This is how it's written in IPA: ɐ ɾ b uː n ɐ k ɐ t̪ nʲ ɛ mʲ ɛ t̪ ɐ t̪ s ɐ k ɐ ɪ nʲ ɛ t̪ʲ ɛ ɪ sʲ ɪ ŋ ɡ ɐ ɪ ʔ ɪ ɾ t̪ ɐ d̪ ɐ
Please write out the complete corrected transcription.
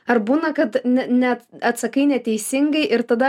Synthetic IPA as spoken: ɐ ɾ b uː n ɐ k ɐ t̪ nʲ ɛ nʲ ɛ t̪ ɐ t̪ s ɐ k ɐ ɪ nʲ ɛ t̪ʲ ɛ ɪ sʲ ɪ ŋ ɡ ɐ ɪ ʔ ɪ ɾ t̪ ɐ d̪ ɐ

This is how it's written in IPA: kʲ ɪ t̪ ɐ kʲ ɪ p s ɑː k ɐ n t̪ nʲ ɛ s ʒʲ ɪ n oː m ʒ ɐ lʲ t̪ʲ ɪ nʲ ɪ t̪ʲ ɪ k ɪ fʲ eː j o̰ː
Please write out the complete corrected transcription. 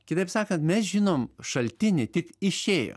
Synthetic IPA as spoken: kʲ ɪ t̪ ɐ ɪ p s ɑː k ɐ n t̪ mʲ ɛ s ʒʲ ɪ n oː m ʃ ɐ lʲ t̪ʲ ɪ nʲ ɪ t̪ʲ ɪ k ɪ ʃʲ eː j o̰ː

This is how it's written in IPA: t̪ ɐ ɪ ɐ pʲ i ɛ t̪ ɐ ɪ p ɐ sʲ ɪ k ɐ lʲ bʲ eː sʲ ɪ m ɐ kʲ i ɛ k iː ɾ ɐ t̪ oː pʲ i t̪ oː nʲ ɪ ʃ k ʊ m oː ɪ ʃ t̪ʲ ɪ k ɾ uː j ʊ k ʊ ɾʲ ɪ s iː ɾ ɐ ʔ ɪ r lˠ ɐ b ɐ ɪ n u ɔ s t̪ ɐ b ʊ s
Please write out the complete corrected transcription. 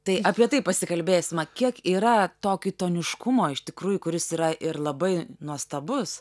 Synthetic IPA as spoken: t̪ ɐ ɪ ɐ pʲ i ɛ t̪ ɐ ɪ p ɐ sʲ ɪ k ɐ lʲ bʲ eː sʲ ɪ m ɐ kʲ i ɛ k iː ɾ ɐ t̪ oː kʲ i t̪ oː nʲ ɪ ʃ k ʊ m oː ɪ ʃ t̪ʲ ɪ k ɾ uː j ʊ k ʊ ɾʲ ɪ s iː ɾ ɐ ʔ ɪ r lˠ ɐ b ɐ ɪ n u ɔ s t̪ ɐ b ʊ s

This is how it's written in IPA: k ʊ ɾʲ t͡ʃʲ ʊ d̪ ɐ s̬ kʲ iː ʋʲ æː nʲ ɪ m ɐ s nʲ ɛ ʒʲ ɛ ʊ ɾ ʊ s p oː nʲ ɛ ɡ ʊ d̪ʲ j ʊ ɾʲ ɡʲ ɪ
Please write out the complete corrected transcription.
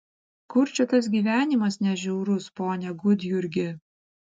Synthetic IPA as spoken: k ʊ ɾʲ t͡ʃʲ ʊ t̪ ɐ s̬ ɡʲ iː ʋʲ æː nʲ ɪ m ɐ s nʲ ɛ ʒʲ ɛ ʊ ɾ ʊ s p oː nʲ ɛ ɡ ʊ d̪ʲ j ʊ ɾʲ ɡʲ ɪ

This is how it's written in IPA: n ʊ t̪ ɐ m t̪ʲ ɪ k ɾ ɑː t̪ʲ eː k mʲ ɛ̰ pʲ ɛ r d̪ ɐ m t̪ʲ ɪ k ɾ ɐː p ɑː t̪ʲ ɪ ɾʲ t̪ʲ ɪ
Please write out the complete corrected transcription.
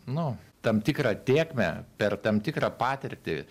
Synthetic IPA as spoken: n ʊ t̪ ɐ m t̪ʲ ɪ k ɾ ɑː t̪ʲ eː k mʲ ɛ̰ pʲ ɛ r t̪ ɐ m t̪ʲ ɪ k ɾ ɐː p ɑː t̪ʲ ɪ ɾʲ t̪ʲ ɪ

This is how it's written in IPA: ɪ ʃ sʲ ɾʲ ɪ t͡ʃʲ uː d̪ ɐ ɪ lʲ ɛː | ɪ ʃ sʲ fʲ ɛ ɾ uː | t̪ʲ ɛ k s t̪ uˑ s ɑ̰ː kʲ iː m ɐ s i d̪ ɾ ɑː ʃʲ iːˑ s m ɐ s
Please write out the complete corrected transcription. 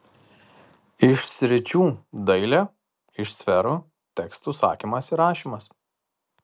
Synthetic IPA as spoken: ɪ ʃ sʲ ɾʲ ɪ t͡ʃʲ uː d̪ ɐ ɪ lʲ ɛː | ɪ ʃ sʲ fʲ ɛ ɾ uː | t̪ʲ ɛ k s t̪ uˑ s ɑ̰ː kʲ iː m ɐ s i ɾ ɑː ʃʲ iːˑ m ɐ s

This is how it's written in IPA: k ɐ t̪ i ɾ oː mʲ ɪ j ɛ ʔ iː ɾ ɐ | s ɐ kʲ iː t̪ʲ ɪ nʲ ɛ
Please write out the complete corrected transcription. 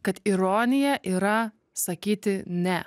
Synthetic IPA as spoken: k ɐ t̪ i ɾ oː nʲ ɪ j ɛ ʔ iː ɾ ɐ | s ɐ kʲ iː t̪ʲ ɪ nʲ ɛ

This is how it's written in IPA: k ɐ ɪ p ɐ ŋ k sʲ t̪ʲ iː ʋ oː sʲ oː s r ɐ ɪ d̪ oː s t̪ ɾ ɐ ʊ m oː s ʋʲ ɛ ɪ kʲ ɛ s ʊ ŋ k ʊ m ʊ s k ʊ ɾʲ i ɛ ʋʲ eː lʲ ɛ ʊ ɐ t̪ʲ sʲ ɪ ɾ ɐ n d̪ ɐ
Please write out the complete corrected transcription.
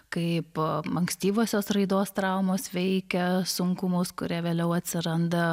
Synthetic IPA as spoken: k ɐ ɪ p ɐ ŋ k sʲ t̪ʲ iː ʋ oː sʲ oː s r ɐ ɪ d̪ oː s t̪ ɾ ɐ ʊ m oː s ʋʲ ɛ ɪ kʲ ɛ s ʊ ŋ k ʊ m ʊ s k ʊ ɾʲ i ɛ ʋʲ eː lʲ ɛ ʊ ɐ t̪ʲ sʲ ɪ ɾ ɐ n d̪ ɐ

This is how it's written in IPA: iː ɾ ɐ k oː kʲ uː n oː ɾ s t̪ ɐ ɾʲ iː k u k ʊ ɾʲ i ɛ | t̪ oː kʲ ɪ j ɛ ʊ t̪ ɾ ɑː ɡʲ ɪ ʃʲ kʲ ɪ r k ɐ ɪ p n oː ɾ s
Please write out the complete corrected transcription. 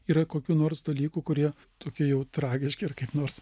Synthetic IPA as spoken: iː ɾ ɐ k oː kʲ uː n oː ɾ s d̪ ɐ lʲ iː k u k ʊ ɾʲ i ɛ | t̪ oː kʲ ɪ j ɛ ʊ t̪ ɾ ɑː ɡʲ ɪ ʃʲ kʲ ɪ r k ɐ ɪ p n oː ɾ s

